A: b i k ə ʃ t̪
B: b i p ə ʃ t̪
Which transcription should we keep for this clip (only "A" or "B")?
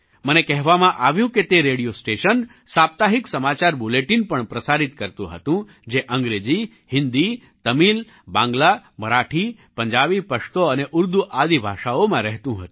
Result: B